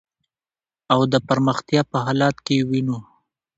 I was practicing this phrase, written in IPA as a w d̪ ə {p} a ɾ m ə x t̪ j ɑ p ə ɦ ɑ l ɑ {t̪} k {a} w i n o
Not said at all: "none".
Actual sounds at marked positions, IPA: p, t̪, e

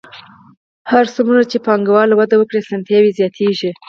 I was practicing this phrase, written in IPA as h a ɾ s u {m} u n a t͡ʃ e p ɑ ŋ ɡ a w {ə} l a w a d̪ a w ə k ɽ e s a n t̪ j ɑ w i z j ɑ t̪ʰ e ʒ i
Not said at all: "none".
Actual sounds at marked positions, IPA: m, ɑ

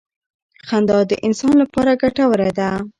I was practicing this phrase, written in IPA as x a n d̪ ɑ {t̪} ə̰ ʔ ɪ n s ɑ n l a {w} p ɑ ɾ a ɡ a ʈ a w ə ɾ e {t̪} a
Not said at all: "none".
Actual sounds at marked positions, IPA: d̪, none, d̪

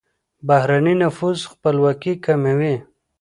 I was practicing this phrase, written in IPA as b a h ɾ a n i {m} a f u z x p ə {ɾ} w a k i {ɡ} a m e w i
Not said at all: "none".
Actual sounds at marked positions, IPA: n, l, k

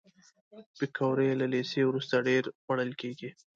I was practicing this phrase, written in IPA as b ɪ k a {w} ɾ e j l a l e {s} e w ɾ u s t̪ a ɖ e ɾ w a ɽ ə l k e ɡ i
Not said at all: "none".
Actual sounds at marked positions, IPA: w, s

